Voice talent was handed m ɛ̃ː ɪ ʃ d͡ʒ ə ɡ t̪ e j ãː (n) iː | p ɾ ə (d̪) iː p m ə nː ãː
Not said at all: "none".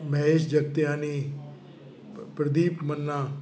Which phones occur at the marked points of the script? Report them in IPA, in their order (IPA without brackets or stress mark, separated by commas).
n, d̪